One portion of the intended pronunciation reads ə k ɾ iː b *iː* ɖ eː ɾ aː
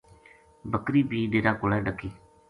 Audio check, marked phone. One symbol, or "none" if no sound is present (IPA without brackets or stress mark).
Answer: iː